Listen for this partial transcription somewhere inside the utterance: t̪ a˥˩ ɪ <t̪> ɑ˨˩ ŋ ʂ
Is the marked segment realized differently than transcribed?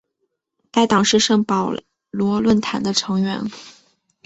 no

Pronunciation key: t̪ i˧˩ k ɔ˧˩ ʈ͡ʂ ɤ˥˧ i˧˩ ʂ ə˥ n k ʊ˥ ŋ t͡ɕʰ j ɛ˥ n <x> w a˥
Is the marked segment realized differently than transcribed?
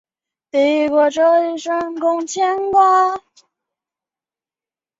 yes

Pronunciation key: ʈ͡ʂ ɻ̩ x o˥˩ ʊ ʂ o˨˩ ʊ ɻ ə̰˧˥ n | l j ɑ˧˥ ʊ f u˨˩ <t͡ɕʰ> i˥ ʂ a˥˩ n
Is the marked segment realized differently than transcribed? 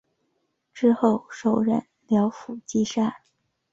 yes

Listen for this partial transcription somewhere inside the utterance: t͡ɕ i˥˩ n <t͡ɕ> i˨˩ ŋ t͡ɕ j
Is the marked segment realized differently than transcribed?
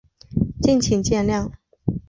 yes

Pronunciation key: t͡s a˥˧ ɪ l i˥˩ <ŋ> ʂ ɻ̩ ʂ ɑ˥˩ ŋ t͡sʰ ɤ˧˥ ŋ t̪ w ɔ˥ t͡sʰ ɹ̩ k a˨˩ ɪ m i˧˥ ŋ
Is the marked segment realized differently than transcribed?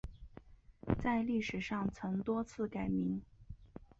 yes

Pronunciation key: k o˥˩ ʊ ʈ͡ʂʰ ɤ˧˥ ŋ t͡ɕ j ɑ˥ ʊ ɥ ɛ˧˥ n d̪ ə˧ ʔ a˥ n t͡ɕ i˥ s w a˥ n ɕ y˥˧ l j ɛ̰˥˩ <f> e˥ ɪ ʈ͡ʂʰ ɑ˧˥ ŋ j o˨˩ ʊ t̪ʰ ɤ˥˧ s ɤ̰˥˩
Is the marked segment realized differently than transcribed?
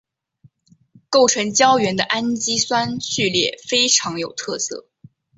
no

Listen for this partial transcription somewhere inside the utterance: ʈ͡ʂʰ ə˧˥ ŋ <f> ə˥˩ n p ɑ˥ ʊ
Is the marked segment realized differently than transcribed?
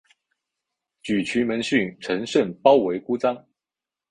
yes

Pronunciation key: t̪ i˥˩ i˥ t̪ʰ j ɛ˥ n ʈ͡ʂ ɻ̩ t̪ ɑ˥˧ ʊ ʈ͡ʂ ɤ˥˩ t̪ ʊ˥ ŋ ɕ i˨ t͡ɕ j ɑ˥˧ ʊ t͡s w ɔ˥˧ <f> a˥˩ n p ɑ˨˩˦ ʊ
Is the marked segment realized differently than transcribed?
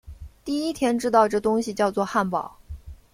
yes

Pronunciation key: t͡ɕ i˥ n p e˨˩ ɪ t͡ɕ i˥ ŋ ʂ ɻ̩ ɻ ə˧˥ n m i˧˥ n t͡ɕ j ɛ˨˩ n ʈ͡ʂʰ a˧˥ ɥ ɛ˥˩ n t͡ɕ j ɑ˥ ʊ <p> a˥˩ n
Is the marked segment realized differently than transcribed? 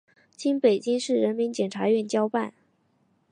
no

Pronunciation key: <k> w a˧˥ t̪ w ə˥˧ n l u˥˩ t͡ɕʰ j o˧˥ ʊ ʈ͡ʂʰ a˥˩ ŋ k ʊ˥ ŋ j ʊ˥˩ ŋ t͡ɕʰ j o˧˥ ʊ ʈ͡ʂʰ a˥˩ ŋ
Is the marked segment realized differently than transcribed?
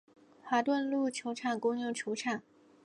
yes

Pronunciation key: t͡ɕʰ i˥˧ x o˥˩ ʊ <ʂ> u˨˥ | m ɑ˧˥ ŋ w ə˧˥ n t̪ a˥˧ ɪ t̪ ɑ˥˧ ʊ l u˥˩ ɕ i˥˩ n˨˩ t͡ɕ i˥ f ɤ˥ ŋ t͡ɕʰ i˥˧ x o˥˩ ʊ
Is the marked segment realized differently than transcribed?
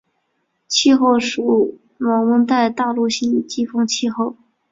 no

